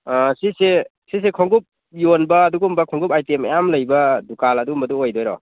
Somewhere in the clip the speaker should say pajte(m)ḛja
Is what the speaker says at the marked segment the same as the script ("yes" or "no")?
yes